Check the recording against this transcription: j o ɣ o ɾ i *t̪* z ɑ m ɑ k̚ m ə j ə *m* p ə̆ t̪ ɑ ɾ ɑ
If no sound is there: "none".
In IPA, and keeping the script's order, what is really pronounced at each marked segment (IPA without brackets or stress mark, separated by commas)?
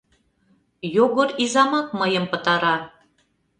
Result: none, m